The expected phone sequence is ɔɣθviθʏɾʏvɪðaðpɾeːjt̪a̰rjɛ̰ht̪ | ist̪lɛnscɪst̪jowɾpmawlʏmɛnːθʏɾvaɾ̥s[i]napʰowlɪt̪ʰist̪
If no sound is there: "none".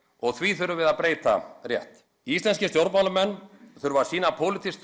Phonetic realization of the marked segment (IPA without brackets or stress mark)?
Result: iː